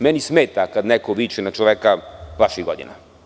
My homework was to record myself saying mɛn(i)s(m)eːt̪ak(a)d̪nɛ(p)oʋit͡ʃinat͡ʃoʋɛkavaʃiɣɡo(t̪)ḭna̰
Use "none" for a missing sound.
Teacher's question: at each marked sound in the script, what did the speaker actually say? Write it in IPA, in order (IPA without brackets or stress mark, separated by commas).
i, m, a, k, d̪